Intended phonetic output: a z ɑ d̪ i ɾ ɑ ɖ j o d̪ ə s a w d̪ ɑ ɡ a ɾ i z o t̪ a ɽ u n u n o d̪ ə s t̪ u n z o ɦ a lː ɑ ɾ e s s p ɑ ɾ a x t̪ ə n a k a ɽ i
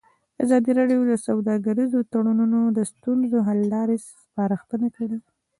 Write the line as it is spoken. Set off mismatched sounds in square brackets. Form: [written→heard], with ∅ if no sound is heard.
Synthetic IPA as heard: a z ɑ d̪ i ɾ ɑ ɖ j o d̪ ə s a w d̪ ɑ ɡ a ɾ i z o t̪ a ɽ u n u n o d̪ ə s t̪ u n z o ɦ a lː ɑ ɾ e s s p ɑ ɾ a x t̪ ə n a k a ɽ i